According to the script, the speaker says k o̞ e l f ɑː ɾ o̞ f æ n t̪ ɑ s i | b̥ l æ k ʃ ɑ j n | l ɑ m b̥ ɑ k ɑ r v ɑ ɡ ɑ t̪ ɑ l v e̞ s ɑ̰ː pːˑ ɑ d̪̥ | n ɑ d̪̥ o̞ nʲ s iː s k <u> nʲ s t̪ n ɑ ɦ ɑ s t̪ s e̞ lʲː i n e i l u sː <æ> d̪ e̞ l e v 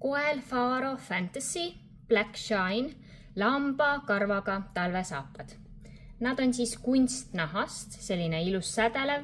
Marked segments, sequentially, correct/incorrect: correct, correct

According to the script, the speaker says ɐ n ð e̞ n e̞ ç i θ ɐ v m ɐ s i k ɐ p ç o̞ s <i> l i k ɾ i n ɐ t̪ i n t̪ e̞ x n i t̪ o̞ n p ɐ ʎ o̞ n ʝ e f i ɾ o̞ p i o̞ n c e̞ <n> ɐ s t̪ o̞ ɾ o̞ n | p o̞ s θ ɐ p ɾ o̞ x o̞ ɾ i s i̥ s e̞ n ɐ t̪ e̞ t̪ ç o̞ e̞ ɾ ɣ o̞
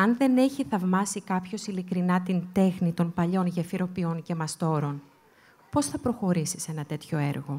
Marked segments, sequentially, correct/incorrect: correct, incorrect

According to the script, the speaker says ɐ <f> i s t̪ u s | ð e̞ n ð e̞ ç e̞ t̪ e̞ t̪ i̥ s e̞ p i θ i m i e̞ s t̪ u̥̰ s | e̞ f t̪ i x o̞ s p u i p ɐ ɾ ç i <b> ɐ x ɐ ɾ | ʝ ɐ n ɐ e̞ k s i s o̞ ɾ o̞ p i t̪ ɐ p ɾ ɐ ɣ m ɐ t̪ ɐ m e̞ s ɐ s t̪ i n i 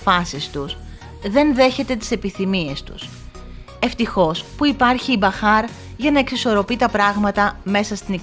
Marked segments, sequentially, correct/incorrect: incorrect, correct

